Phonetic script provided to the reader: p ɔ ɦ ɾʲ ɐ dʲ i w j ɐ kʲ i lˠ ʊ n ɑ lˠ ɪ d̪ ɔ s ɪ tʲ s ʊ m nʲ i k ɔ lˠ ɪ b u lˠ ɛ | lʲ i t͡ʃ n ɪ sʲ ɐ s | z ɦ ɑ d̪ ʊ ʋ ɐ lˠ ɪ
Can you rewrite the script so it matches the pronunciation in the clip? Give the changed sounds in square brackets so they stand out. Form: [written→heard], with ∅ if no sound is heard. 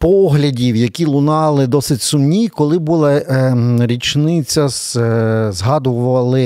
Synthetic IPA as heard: p ɔ ɦ [ɾʲ→lʲ] ɐ dʲ i w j ɐ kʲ i lˠ ʊ n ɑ lˠ ɪ d̪ ɔ s ɪ tʲ s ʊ m nʲ i k ɔ lˠ ɪ b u lˠ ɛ | [lʲ→ɾʲ] i t͡ʃ n ɪ [sʲ→t͡sʲ] ɐ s | z ɦ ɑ d̪ ʊ ʋ ɐ lˠ ɪ